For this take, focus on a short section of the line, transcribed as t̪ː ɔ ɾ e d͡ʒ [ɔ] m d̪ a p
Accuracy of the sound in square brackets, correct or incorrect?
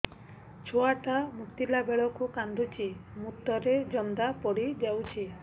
correct